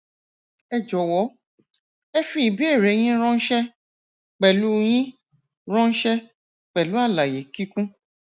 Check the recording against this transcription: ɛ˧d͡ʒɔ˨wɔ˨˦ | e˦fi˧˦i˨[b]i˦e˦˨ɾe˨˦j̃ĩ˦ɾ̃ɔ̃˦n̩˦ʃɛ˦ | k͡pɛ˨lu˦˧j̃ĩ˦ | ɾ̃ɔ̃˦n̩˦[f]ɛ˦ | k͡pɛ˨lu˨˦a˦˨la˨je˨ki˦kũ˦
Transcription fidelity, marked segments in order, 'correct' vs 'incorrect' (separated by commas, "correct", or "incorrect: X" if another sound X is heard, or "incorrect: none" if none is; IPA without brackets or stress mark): correct, incorrect: ʃ